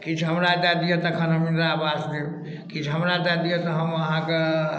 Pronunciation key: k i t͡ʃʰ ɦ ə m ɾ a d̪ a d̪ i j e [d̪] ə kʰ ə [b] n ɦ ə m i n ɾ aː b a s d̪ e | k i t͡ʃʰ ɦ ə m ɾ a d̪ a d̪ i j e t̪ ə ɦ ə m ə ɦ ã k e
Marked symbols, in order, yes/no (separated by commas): no, no